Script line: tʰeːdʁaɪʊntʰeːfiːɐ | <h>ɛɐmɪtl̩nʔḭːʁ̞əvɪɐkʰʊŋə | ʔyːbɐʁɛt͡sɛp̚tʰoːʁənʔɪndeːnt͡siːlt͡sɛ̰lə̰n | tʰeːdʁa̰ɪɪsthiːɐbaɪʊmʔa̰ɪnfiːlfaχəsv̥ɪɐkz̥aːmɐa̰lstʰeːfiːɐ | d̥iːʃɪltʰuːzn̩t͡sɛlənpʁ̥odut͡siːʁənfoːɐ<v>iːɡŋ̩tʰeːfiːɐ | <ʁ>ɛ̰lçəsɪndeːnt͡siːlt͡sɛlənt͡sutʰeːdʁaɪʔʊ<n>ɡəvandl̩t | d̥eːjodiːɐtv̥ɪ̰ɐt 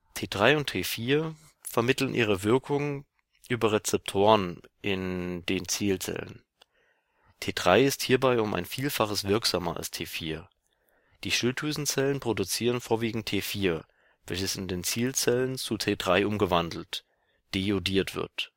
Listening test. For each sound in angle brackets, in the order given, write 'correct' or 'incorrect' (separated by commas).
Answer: incorrect, correct, incorrect, incorrect